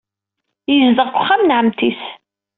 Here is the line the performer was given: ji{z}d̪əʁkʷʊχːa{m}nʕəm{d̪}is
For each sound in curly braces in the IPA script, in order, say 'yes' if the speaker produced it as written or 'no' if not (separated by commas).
yes, yes, no